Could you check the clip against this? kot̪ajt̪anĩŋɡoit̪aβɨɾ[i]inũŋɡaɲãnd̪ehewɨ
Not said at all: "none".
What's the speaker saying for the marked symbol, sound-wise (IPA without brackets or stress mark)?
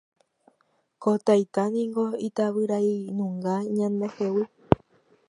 a